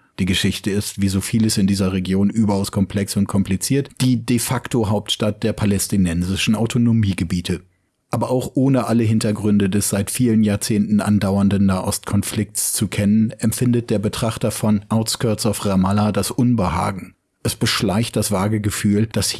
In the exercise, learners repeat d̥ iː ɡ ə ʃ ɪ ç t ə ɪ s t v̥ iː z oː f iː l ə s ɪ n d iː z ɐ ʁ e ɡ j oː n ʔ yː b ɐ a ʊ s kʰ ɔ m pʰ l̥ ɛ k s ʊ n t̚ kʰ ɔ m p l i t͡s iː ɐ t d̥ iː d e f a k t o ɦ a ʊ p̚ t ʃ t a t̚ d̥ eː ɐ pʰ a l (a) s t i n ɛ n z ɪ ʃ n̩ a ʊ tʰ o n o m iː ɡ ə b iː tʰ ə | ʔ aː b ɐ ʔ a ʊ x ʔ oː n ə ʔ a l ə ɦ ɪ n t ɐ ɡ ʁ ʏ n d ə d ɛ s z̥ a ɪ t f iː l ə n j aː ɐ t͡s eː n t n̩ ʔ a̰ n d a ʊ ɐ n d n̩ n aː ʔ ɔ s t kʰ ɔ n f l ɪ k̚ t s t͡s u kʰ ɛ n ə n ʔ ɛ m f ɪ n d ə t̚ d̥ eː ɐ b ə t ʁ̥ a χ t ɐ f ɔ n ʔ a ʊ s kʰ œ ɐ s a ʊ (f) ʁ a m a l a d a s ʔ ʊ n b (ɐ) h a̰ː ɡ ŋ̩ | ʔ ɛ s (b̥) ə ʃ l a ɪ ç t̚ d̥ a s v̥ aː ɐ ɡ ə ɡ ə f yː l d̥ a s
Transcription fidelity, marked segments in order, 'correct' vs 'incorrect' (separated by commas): incorrect, correct, incorrect, correct